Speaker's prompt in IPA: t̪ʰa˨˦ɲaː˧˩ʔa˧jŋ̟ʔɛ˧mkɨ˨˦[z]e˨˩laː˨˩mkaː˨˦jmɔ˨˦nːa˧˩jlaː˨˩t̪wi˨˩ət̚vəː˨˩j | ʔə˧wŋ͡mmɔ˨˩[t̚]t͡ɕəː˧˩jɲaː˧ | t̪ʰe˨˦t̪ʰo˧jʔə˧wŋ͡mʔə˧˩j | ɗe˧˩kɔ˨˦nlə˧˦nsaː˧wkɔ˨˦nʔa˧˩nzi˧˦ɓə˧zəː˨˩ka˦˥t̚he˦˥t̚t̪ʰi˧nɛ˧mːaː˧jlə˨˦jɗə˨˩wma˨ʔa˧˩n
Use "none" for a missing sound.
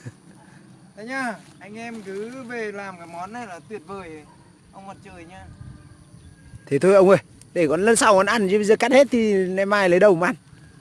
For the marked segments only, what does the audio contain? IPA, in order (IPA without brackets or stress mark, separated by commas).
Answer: v, t̚